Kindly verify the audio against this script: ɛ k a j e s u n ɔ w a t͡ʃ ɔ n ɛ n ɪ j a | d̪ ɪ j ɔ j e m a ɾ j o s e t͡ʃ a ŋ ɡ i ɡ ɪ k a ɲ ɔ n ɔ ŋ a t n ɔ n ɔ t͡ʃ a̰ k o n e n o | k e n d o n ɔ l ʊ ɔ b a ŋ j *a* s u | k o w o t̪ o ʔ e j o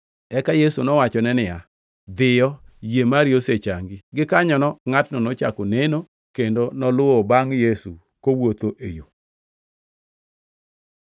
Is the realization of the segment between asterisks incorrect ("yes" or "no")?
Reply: yes